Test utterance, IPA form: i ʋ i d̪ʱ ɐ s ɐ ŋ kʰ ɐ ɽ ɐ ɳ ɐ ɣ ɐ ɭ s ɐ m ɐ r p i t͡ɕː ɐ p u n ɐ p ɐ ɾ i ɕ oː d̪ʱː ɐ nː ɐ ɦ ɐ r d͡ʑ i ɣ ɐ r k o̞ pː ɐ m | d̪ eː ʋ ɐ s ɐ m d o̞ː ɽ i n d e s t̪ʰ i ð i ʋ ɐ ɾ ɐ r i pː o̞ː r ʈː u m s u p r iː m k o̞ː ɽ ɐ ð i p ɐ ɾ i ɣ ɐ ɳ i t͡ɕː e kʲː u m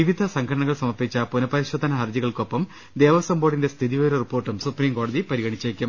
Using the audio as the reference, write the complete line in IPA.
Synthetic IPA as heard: i ʋ i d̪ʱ ɐ s ɐ ŋ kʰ ɐ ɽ ɐ ɳ ɐ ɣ ɐ ɭ s ɐ m ɐ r p i t͡ɕː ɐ p u n ɐ p ɐ ɾ i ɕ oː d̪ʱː ɐ n ɐ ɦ ɐ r d͡ʑ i ɣ ɐ ɭ k o̞ pː ɐ m | d̪ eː ʋ ɐ s ɐ m b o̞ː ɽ i n d e s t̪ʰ i ð i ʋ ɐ ɾ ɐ r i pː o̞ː r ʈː u m s u p r iː m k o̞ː ɽ ɐ ð i p ɐ ɾ i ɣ ɐ ɳ i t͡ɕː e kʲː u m